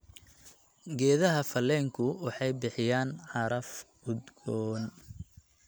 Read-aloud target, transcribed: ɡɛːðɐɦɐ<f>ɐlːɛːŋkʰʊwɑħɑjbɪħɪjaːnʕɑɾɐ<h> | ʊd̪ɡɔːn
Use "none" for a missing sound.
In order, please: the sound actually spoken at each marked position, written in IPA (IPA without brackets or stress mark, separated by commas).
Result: f, f